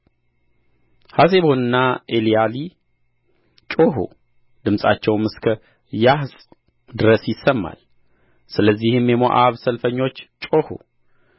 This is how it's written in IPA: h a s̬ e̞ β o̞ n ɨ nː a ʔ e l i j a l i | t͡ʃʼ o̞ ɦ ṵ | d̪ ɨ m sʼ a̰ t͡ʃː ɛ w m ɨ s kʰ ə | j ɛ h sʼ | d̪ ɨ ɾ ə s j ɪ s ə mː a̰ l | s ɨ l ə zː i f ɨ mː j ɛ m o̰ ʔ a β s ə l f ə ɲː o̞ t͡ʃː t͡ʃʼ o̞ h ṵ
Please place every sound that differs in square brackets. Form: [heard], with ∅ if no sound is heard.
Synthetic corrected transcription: h a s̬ e̞ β o̞ n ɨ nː a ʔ e l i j a l i | t͡ʃʼ o̞ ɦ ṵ | d̪ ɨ m sʼ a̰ t͡ʃː ɛ w m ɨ s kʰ ə | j [a] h sʼ | d̪ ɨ ɾ ə s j ɪ s ə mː a̰ l | s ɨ l ə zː i [h] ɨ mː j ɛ m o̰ ʔ a β s ə l f ə ɲː o̞ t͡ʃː t͡ʃʼ o̞ h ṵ